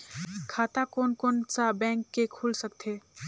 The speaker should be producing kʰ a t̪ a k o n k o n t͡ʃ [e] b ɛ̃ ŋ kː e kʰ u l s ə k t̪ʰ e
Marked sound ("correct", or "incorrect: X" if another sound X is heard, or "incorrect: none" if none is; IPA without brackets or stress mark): incorrect: a